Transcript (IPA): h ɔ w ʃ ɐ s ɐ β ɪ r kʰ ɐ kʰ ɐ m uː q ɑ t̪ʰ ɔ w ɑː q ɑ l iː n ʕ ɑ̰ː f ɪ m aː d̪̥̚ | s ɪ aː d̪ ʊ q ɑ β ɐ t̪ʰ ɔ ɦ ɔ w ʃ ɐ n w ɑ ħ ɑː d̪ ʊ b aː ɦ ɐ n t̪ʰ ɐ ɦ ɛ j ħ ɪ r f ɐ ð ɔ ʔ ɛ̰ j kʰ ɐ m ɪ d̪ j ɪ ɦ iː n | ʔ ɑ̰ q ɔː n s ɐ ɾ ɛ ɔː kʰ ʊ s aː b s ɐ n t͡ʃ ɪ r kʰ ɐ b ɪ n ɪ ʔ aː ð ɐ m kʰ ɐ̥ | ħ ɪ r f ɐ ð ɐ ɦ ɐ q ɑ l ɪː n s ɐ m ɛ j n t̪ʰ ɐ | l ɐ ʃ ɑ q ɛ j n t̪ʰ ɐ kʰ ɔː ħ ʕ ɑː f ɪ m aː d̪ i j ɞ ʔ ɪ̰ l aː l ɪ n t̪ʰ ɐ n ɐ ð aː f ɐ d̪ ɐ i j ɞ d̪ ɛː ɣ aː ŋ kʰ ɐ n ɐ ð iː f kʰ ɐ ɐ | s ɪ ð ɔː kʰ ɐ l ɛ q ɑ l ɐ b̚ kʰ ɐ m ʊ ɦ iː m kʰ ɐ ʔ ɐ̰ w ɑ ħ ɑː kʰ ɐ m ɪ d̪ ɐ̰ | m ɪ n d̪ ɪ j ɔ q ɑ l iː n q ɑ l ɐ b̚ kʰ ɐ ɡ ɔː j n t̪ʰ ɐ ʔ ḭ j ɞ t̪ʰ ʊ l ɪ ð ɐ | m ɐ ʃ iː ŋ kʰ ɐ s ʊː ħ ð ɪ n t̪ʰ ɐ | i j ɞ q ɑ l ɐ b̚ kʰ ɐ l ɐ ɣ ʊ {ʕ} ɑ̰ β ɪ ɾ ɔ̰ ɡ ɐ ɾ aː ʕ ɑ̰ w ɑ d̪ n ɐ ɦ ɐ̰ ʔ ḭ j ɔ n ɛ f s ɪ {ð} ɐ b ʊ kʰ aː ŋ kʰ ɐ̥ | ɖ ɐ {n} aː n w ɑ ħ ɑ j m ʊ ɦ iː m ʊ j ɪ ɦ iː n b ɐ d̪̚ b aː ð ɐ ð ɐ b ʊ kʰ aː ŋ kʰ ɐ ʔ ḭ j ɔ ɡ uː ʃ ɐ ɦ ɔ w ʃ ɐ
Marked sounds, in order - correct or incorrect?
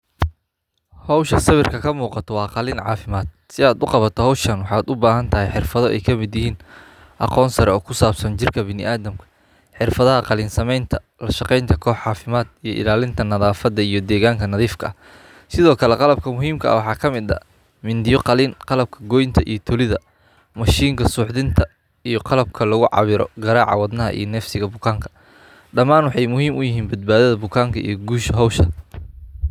correct, incorrect, incorrect

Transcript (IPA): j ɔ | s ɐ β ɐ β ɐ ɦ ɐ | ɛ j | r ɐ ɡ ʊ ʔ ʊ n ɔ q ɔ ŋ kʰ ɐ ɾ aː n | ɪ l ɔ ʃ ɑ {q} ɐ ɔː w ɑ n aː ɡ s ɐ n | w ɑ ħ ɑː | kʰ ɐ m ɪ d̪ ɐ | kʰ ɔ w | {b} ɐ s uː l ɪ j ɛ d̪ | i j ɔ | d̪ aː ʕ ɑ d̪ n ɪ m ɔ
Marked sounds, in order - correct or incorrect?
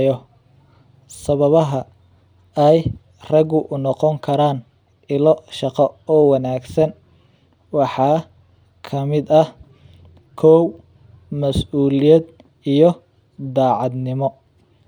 correct, incorrect

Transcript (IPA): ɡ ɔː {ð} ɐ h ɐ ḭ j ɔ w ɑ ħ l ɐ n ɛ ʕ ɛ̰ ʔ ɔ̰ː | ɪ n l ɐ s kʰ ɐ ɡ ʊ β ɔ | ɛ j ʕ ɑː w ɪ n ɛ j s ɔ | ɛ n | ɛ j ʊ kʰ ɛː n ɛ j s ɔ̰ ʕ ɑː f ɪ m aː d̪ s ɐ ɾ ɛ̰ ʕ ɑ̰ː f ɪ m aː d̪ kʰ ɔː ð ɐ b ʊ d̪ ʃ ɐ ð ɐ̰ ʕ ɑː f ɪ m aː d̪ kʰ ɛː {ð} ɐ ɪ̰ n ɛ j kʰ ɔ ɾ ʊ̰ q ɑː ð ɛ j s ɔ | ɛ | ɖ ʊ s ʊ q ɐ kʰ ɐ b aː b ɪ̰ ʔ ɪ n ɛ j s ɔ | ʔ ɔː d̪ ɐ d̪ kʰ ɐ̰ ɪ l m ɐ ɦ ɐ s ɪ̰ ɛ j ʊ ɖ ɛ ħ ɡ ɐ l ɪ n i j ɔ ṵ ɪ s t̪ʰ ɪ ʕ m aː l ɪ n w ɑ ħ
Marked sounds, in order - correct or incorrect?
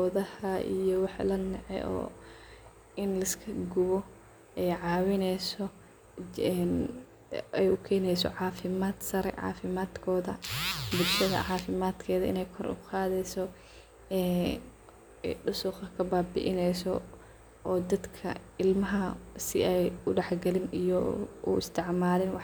correct, correct

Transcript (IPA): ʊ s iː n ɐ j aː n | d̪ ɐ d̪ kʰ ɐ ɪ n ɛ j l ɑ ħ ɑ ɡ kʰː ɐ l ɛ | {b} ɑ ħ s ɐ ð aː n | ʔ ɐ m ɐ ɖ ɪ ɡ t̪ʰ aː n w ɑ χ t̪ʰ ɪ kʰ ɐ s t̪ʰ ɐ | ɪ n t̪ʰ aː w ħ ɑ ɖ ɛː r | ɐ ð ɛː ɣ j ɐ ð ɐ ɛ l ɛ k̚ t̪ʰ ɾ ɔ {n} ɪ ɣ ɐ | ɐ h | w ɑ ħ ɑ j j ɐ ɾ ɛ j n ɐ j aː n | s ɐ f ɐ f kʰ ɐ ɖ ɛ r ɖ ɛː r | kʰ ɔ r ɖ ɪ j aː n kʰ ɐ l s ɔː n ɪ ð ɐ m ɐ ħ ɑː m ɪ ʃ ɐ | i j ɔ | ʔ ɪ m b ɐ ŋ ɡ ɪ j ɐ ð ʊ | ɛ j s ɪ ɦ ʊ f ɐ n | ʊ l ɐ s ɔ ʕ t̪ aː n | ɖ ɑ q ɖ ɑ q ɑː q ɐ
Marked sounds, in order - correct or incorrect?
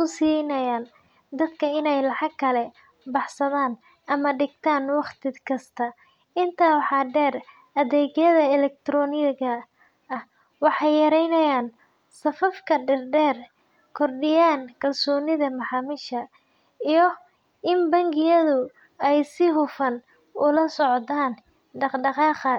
correct, correct

